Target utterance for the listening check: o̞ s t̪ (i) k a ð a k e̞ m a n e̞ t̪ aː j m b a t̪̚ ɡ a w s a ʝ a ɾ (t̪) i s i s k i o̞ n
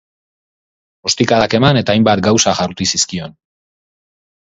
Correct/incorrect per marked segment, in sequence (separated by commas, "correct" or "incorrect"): correct, correct